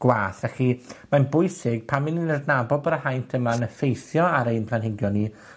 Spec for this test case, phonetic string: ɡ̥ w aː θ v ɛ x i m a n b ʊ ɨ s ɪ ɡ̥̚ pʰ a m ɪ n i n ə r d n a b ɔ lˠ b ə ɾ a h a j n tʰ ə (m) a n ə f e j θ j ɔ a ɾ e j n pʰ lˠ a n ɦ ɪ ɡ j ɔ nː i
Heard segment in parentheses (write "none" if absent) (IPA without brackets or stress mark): m